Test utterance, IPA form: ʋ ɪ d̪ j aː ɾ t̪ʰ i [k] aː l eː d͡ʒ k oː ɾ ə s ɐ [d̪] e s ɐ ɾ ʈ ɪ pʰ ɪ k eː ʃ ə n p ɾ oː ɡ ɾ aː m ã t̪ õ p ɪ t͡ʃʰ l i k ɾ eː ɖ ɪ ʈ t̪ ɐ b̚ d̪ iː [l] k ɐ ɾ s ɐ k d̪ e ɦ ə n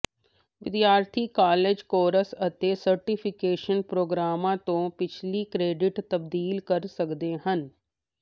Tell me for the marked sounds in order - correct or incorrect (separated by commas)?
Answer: correct, incorrect, correct